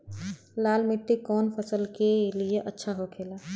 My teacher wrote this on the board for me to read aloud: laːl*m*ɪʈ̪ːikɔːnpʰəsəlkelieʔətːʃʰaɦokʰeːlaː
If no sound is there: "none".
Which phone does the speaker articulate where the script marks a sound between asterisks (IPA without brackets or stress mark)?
m